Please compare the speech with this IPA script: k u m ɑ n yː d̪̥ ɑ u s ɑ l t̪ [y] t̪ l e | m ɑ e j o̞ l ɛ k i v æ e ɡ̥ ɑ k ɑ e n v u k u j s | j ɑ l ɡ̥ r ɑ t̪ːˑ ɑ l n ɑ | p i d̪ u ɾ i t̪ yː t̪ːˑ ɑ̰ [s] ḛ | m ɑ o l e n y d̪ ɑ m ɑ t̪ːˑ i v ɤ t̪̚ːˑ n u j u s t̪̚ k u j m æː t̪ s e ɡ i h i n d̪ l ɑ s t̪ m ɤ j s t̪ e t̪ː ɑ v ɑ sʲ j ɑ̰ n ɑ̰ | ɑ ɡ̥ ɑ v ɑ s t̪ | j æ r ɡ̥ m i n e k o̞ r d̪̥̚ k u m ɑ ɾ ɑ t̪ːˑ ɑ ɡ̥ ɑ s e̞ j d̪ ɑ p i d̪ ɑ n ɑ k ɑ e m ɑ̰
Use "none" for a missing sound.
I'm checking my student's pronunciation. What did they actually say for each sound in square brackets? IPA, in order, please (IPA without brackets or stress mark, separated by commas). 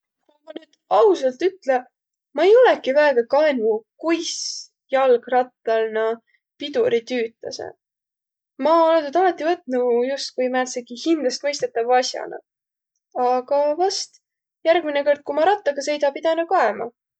y, s